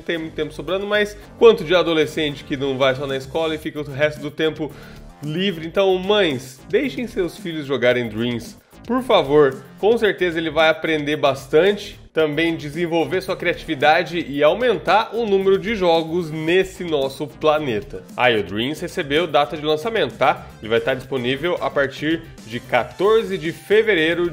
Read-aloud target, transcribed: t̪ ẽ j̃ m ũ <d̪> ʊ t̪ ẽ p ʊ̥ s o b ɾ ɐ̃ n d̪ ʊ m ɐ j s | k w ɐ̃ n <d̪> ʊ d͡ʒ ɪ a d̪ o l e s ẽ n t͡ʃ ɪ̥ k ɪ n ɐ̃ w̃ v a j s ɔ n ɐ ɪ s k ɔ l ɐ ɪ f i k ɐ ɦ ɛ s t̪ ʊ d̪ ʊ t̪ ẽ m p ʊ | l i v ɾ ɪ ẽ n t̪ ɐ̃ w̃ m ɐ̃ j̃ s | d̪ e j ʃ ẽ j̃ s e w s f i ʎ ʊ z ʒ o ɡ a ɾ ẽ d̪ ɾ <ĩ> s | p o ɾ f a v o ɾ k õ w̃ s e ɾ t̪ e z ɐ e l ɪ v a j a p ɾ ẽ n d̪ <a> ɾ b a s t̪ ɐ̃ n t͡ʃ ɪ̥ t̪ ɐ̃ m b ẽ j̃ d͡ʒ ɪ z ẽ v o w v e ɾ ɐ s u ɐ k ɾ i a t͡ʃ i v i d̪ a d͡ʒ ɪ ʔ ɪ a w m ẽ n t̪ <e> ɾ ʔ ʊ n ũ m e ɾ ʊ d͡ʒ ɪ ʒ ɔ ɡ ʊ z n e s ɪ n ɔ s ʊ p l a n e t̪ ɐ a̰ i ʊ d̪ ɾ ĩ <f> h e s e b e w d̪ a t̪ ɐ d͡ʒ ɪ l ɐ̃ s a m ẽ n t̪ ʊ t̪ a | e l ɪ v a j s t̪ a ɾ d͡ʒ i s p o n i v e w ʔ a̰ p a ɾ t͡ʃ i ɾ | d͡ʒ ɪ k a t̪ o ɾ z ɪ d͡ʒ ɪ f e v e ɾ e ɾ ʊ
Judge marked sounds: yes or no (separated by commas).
no, no, yes, no, no, no